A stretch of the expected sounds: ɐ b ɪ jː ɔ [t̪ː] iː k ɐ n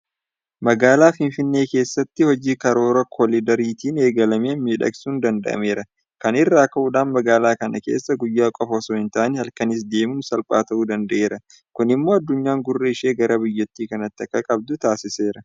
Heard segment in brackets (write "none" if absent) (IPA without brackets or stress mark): t̪ː